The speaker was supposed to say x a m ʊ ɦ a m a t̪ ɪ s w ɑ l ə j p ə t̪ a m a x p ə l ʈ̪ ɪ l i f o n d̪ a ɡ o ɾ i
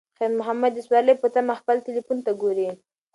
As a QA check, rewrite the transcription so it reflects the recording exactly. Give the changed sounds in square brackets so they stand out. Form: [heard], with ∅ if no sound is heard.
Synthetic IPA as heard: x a m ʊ ɦ a m a [d̪] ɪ s w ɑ l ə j p ə t̪ a m a x p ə l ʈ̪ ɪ l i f [u] n [t̪] a ɡ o ɾ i

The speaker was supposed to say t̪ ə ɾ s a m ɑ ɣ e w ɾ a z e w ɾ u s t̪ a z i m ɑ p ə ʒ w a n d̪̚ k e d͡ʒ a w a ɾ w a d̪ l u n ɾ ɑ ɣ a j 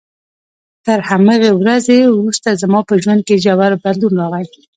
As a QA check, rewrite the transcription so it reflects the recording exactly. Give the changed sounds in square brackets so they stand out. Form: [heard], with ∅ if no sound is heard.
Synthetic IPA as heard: t̪ ə ɾ [h] a m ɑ ɣ e w ɾ a z e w ɾ u s t̪ a z [a] m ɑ p ə ʒ w a n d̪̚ k e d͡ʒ a w a ɾ [b] a d̪ l u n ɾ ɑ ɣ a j

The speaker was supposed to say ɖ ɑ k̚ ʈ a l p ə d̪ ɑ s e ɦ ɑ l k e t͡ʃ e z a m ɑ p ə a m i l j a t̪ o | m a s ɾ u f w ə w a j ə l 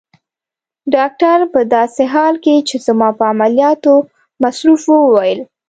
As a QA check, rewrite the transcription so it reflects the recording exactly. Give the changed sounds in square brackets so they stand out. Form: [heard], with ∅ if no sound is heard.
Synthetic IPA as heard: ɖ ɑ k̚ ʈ a [ɾ] p ə d̪ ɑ s e ɦ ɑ l k e t͡ʃ e z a m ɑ p ə a m [a] l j [ɑ] t̪ o | m a s ɾ u f w ə w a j ə l

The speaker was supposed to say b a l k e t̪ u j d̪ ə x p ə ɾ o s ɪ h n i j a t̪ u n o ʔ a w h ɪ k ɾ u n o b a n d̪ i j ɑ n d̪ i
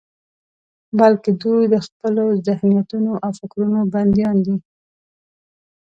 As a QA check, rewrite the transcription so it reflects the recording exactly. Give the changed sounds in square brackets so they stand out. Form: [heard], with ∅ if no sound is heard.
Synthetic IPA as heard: b a l k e [d̪] u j d̪ ə x p ə [l] o [z] ɪ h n i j a t̪ u n o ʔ a w [f] ɪ k ɾ u n o b a n d̪ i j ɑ n d̪ i

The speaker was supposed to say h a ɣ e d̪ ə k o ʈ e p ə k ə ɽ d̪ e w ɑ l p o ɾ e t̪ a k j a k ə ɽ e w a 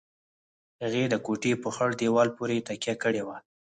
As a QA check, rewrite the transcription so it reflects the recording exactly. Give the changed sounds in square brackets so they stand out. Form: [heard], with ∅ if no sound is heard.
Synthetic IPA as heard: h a ɣ e d̪ ə k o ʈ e p ə [x] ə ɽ d̪ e w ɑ l p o ɾ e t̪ a k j a k ə ɽ e w a

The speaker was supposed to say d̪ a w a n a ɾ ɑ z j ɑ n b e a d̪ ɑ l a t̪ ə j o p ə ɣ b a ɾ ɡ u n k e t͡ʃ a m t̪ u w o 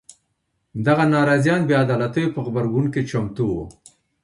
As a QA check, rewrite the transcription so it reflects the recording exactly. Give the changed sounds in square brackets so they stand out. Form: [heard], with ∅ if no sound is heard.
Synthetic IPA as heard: d̪ a [ɣ] a n [ɑ] ɾ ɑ z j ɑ n b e a d̪ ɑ l a t̪ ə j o p ə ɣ b a ɾ ɡ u n k e t͡ʃ a m t̪ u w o

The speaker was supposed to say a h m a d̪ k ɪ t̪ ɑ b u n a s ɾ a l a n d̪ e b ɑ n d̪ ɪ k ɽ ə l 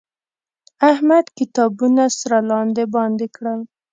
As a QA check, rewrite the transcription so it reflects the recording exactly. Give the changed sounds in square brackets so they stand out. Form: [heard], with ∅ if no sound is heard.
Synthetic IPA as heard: a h m a d̪ k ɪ t̪ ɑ b u n a s ɾ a l [ɑ] n d̪ e b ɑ n d̪ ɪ k ɽ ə l

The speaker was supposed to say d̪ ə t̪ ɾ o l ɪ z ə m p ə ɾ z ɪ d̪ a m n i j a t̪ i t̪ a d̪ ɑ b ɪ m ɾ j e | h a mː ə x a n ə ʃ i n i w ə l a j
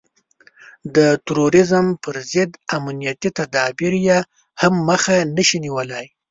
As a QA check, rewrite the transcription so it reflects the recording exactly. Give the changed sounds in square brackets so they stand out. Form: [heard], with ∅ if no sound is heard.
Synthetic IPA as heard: d̪ ə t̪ ɾ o [ɾ] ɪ z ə m p ə ɾ z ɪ d̪ a m n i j a t̪ i t̪ a d̪ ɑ b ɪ [∅] ɾ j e | h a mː ə x a n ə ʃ i n i w ə l a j

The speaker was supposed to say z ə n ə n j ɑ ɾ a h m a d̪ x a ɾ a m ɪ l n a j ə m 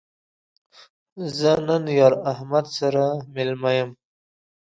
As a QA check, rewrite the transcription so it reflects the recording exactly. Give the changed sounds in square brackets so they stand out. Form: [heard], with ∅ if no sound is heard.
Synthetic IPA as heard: z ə n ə n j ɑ ɾ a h m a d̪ [s] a ɾ a m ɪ l [m] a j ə m

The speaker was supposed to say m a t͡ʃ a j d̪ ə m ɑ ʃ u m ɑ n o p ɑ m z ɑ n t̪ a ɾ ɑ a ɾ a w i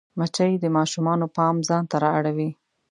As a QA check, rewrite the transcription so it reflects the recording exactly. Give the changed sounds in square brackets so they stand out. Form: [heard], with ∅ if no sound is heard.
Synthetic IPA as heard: m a t͡ʃ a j d̪ ə m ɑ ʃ u m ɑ n o p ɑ m z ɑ n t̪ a ɾ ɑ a [ɽ] a w i

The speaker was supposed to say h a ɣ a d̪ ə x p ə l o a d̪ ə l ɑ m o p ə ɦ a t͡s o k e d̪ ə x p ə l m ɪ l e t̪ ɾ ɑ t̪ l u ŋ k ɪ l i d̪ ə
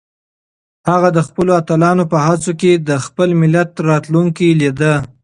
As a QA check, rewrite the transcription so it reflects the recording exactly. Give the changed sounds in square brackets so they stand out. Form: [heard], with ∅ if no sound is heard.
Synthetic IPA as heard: h a ɣ a d̪ ə x p ə l o a [t̪] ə l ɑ [n] o p ə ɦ a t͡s o k e d̪ ə x p ə l m ɪ l [a] t̪ ɾ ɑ t̪ l u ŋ k [i] l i d̪ ə

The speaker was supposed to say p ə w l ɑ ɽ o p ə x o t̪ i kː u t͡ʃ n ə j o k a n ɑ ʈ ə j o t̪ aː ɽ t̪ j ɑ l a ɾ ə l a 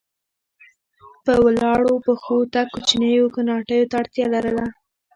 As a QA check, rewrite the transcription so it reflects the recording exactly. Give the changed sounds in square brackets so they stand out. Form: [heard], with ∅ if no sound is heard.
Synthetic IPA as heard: p ə w l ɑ ɽ o p ə x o t̪ [a] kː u t͡ʃ n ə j o k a n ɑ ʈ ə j o t̪ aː ɽ t̪ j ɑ l a ɾ ə l a

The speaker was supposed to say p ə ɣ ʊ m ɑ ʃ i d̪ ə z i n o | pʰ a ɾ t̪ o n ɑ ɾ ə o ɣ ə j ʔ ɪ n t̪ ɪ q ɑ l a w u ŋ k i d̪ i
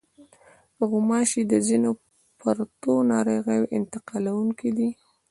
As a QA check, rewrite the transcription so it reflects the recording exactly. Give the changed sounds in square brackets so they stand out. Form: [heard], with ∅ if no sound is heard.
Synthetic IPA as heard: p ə ɣ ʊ m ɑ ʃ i d̪ ə z i n o | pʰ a ɾ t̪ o n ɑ ɾ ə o ɣ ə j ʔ ɪ n t̪ ɪ q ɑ l a w u ŋ k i d̪ i

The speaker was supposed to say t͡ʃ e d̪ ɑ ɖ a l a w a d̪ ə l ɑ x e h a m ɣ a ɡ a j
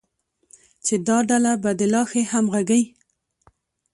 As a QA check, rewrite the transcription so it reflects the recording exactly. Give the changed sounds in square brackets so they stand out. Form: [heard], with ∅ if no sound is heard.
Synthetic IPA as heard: t͡ʃ e d̪ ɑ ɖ a l a [b] a d̪ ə l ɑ x e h a m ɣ a ɡ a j

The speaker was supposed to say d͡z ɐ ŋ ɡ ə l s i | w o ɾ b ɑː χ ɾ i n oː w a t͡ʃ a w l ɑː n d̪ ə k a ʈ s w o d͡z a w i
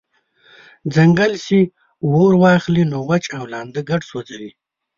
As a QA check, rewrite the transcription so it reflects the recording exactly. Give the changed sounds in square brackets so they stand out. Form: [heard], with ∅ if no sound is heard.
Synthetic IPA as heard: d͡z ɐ ŋ ɡ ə l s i | w o ɾ [w] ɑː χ [l] i n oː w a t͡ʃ a w l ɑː n d̪ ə [ɡ] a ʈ s w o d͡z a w i

